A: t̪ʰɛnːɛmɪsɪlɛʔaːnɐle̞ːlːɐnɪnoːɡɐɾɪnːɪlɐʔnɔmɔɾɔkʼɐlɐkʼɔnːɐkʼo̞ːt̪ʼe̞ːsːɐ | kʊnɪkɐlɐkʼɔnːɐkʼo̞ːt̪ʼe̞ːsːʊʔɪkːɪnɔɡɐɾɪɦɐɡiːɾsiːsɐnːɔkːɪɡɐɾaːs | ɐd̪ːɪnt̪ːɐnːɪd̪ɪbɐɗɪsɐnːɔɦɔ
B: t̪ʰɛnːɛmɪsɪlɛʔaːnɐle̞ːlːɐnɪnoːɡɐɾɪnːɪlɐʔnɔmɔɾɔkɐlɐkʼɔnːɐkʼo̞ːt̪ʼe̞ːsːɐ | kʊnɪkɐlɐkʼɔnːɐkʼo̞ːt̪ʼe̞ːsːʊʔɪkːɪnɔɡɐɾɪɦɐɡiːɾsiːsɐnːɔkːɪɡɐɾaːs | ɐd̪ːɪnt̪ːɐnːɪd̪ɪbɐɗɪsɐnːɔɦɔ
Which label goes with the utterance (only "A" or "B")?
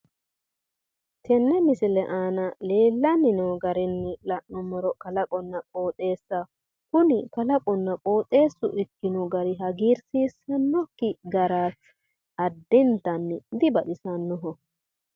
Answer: B